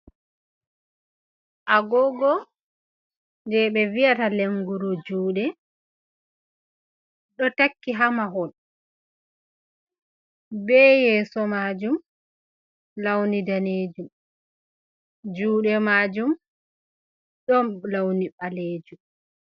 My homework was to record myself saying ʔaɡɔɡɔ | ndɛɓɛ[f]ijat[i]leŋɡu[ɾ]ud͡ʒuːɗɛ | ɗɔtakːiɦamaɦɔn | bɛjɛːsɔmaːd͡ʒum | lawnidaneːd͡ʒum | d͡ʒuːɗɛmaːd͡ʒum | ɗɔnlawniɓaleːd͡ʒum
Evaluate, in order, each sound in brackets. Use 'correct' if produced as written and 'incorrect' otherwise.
incorrect, incorrect, correct

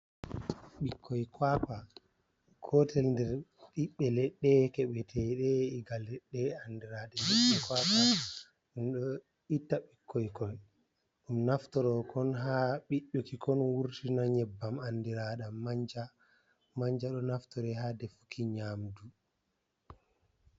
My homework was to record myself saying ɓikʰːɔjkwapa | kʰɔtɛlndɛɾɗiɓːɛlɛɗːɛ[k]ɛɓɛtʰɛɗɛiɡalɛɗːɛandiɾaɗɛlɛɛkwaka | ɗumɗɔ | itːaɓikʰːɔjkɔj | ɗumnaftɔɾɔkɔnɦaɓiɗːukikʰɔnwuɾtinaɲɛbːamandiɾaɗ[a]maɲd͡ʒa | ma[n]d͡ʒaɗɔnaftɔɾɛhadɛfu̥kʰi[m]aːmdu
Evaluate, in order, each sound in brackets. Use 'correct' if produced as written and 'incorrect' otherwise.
correct, correct, incorrect, incorrect

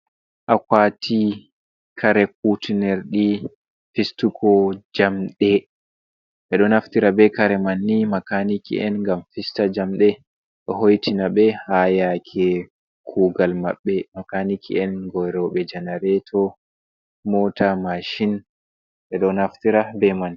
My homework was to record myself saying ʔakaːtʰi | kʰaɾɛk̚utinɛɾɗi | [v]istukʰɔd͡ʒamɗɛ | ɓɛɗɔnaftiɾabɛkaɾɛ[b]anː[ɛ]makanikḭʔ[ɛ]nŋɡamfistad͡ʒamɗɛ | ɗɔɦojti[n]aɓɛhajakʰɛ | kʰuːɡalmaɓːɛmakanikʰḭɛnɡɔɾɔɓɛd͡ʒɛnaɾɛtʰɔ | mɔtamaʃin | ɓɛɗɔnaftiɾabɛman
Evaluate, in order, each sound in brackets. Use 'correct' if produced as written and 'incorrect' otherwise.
incorrect, incorrect, incorrect, correct, correct

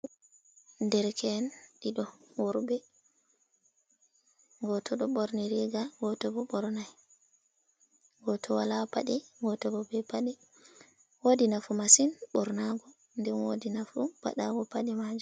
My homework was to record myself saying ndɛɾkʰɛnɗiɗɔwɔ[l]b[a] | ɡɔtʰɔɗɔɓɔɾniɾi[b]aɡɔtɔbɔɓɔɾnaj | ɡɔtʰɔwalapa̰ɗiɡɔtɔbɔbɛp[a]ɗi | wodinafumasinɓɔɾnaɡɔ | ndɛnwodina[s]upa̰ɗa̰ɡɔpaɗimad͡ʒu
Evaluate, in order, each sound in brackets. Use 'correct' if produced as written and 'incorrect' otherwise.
incorrect, incorrect, incorrect, correct, incorrect

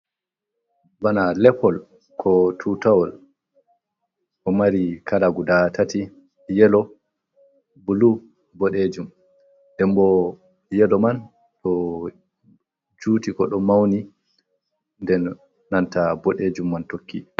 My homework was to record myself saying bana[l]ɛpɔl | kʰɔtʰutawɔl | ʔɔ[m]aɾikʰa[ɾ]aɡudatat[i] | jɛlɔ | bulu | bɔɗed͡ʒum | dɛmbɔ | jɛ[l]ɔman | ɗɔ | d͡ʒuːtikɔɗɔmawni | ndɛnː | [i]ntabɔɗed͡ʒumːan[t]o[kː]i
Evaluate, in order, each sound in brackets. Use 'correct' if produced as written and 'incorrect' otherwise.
correct, correct, incorrect, correct, correct, incorrect, correct, correct

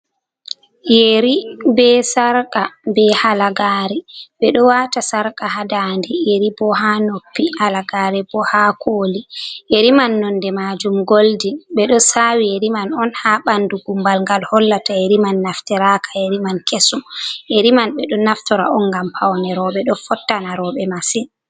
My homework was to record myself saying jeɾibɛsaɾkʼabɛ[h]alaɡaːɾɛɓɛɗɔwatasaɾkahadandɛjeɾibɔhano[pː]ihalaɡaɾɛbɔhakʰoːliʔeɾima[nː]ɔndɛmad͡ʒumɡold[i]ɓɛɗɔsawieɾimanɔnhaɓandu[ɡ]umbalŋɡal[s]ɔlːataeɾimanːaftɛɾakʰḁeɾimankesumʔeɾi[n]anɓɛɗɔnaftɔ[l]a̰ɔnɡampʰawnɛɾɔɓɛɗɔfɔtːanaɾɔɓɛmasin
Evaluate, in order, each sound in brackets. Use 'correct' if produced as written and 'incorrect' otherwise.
correct, correct, correct, correct, correct, incorrect, incorrect, incorrect

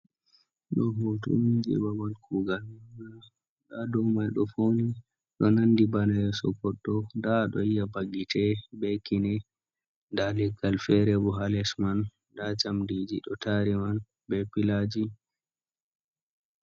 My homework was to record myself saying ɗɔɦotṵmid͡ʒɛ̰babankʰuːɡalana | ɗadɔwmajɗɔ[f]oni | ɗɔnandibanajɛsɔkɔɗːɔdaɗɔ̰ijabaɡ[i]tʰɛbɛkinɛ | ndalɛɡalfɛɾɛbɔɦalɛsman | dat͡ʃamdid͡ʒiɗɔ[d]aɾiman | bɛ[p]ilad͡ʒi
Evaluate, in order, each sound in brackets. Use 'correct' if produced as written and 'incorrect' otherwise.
correct, correct, incorrect, correct

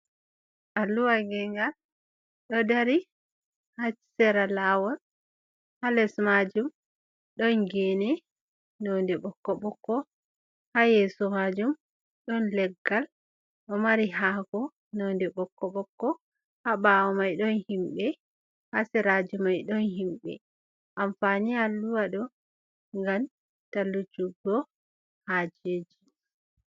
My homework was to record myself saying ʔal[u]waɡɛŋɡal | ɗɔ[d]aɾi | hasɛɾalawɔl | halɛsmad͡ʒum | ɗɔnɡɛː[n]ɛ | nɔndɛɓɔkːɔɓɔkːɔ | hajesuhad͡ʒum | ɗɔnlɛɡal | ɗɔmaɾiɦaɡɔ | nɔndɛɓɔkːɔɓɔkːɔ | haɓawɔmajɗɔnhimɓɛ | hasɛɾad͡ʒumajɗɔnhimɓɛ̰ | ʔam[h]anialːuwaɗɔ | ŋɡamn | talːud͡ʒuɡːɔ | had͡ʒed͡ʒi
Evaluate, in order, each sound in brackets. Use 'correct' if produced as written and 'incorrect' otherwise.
correct, correct, correct, incorrect

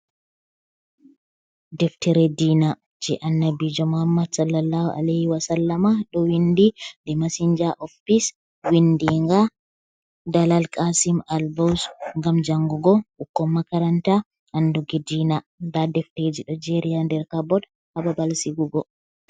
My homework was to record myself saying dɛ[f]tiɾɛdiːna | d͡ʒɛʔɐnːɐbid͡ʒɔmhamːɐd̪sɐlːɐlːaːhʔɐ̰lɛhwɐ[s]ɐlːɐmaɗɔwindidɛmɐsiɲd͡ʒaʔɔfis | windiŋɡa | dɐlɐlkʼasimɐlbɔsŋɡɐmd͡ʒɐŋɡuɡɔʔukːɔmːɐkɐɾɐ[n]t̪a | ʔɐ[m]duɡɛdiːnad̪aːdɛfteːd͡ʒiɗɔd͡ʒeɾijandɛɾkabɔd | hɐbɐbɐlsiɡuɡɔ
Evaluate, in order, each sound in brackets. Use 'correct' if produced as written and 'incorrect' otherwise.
correct, correct, correct, incorrect

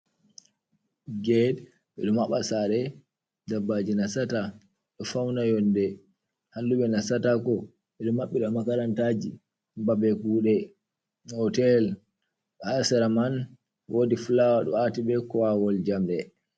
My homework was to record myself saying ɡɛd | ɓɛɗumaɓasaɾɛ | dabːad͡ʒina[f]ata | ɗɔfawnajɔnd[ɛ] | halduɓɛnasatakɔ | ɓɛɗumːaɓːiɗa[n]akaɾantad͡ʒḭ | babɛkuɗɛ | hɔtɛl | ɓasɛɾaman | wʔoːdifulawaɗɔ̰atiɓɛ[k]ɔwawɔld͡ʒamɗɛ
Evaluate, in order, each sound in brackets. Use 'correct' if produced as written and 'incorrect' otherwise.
incorrect, correct, incorrect, correct

